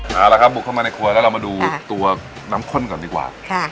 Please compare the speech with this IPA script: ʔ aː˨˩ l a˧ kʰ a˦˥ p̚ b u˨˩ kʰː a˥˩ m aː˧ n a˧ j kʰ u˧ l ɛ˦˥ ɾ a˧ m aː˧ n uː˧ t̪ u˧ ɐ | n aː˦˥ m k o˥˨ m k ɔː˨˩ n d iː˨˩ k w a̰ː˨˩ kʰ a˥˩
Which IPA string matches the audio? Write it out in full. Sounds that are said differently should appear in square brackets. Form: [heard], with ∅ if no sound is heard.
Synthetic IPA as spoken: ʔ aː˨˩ l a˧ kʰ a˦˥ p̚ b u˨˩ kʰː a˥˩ m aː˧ n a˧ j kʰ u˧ l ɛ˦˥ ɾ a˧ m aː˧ [d] uː˧ t̪ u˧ ɐ | n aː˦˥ m [kʰ] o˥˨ [n] k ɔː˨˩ n d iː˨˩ k w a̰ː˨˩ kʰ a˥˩